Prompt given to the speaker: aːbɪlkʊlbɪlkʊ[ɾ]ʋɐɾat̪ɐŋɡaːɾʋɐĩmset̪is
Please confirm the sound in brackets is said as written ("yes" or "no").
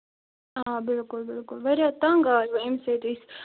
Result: no